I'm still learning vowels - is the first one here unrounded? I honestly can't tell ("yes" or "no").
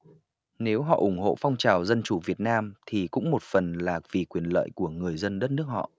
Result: yes